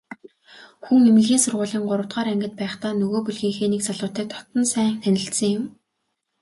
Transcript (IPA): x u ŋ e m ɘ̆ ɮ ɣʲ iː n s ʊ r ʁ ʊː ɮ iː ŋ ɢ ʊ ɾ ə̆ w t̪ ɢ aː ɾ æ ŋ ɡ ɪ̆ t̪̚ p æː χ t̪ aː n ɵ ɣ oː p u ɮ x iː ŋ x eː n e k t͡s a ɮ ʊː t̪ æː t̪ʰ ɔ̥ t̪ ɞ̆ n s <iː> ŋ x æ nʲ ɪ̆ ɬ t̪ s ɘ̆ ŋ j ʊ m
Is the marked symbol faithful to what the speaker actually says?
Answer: no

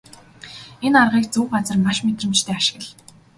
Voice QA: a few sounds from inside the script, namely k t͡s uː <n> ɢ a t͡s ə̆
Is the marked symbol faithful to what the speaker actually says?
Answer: no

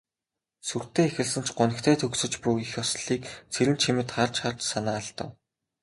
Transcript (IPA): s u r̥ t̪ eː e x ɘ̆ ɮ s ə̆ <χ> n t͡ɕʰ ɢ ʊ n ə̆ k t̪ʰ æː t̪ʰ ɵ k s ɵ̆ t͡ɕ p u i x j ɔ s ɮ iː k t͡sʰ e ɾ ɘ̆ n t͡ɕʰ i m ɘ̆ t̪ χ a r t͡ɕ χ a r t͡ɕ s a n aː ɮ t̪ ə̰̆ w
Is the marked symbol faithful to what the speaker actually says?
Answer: no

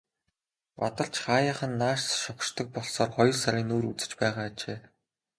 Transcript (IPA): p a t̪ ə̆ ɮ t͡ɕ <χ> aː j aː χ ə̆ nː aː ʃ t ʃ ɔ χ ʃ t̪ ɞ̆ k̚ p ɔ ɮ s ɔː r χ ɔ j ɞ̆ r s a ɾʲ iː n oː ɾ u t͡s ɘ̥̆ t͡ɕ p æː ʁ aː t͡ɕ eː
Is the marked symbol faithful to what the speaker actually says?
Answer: yes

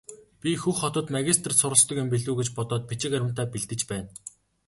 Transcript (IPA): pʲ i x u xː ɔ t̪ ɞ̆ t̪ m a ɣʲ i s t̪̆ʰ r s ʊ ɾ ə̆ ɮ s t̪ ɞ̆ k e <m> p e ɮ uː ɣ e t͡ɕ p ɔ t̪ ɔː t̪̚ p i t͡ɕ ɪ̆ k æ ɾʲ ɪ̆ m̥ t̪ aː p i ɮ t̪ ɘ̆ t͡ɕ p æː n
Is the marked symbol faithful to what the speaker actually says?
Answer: yes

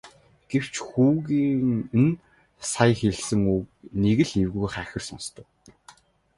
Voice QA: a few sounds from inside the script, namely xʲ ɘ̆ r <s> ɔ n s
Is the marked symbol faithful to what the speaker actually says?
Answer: yes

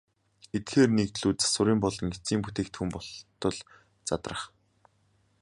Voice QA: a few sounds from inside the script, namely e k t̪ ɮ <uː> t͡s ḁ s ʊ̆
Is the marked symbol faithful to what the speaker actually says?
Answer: yes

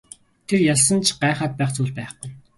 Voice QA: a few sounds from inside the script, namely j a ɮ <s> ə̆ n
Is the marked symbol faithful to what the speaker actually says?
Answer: yes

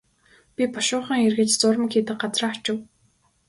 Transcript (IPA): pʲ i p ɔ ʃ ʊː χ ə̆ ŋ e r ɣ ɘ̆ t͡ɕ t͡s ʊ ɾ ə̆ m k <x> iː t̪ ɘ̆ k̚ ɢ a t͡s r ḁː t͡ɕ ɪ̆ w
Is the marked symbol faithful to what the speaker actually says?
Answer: yes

